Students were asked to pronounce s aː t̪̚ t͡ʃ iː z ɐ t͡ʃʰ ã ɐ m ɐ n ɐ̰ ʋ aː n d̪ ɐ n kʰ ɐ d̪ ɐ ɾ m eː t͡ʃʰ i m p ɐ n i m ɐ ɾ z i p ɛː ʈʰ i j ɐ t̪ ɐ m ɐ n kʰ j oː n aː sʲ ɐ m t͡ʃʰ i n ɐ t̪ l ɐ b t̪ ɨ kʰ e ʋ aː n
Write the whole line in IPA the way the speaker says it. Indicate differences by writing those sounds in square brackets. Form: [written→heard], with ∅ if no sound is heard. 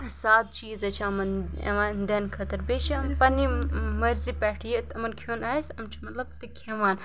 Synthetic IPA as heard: s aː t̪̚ t͡ʃ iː z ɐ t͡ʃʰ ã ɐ m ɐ n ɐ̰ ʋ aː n d̪ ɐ n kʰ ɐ [d̪→t̪] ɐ ɾ [m→b] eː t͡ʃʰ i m p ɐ n i m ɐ ɾ z i p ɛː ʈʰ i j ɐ t̪ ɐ m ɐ n kʰ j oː n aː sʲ ɐ m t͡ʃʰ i [n→m] ɐ t̪ l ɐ b t̪ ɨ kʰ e ʋ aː n